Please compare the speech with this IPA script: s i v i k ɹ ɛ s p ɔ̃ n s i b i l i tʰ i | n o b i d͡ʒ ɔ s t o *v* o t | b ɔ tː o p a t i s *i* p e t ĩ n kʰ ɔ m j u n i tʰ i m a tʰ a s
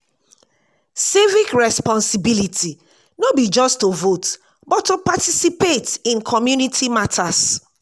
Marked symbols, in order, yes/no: yes, yes

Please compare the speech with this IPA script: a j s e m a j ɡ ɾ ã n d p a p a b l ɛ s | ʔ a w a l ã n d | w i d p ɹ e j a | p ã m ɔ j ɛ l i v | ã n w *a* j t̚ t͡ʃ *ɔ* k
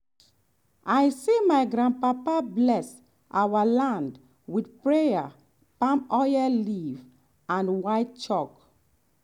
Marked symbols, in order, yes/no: yes, yes

